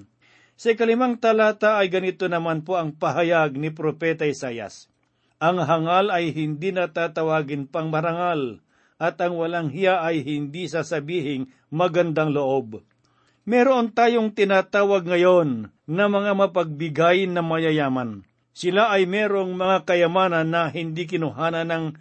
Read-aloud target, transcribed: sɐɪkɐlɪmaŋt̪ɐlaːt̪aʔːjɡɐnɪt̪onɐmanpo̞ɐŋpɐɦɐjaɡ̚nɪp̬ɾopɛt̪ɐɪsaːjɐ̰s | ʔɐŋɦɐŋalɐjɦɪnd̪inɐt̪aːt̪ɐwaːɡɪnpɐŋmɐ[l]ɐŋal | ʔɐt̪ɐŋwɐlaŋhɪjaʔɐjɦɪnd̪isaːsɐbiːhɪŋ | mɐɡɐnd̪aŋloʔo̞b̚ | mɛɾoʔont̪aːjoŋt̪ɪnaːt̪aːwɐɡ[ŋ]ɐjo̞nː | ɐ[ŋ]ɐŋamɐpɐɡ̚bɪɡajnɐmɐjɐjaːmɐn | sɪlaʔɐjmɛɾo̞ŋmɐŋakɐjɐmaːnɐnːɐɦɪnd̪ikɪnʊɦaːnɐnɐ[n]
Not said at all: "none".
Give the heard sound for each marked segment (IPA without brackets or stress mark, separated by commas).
ɾ, ŋ, m, ŋ